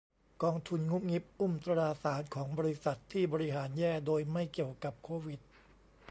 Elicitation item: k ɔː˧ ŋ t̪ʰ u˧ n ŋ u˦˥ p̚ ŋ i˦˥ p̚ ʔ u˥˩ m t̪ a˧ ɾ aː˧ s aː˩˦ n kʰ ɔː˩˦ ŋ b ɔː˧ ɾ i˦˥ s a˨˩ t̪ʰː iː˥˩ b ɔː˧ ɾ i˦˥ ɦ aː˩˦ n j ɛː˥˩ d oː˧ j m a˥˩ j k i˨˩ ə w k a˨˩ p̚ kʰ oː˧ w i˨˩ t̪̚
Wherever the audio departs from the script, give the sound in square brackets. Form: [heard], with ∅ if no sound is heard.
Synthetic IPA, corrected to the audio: k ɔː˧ ŋ t̪ʰ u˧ n ŋ u˦˥ p̚ ŋ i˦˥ p̚ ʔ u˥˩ m t̪ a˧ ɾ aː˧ s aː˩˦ n kʰ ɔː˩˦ ŋ b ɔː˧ ɾ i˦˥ s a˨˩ t̪ʰː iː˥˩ b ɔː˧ ɾ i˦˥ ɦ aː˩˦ n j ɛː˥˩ d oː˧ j m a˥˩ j k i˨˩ ə w k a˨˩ p̚ kʰ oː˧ w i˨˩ t̪̚